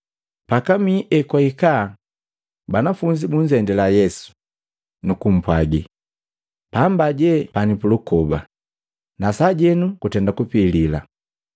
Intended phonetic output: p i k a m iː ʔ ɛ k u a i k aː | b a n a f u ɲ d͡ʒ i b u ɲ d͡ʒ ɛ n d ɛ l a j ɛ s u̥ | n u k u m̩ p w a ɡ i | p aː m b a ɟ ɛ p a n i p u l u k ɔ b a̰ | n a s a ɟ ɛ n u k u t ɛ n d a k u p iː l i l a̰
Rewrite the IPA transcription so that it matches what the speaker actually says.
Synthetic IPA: p a k a m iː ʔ ɛ k w a i k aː | b a n a f u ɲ d͡ʒ i b u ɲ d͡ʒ ɛ n d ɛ l a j ɛ s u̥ | n u k u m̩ p w a ɡ i | p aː m b a ɟ ɛ p a n i p u l u k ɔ b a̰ | n a s a ɟ ɛ n u k u t ɛ n d a k u p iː l i l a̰